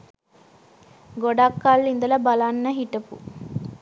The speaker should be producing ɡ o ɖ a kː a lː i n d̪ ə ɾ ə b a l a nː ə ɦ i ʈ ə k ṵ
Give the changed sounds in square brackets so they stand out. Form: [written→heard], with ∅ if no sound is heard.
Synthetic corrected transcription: ɡ o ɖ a kː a lː i n d̪ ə [ɾ→l] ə b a l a nː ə ɦ i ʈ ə [k→p] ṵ